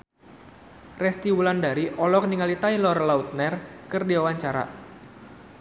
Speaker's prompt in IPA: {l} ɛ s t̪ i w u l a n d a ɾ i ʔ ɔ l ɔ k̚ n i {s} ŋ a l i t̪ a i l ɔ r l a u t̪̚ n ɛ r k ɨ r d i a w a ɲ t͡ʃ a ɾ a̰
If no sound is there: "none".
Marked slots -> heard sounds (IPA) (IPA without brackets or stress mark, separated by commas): r, none